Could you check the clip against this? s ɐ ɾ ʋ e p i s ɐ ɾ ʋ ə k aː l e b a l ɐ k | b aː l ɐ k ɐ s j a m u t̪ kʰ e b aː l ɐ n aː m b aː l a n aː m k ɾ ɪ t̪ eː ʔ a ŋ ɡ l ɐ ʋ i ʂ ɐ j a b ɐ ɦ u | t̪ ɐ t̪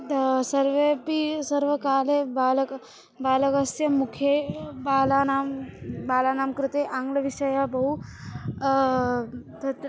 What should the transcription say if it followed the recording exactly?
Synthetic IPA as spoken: s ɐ ɾ ʋ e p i s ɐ ɾ ʋ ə k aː l e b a l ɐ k | b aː l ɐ k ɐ s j ɐ m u kʰ e b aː l a n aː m b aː l a n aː m k ɾ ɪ t̪ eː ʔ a ŋ ɡ l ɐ ʋ i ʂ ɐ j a b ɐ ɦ u | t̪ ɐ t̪